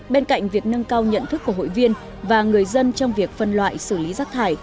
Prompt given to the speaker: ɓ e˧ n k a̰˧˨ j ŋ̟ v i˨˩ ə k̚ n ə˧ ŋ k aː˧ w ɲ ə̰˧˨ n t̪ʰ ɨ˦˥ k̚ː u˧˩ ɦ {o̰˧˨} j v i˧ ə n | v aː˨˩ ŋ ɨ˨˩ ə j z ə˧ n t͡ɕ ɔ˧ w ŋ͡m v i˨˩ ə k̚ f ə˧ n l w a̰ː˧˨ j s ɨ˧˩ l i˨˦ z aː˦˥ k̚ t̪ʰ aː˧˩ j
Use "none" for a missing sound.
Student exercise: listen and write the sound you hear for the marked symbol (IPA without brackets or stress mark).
o̰˧˨